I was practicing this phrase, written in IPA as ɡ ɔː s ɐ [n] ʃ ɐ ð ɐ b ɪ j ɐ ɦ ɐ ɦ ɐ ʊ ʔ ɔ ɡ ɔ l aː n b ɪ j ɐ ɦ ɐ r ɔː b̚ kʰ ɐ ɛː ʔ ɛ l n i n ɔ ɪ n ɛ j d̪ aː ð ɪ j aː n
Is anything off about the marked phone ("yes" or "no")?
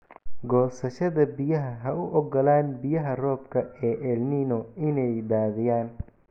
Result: yes